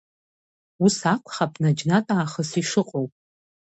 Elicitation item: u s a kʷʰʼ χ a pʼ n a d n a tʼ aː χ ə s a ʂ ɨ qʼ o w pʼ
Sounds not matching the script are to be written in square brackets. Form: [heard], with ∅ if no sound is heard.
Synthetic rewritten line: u s a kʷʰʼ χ a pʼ n a [d͡ʒ] n a tʼ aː χ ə s [i] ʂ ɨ qʼ o w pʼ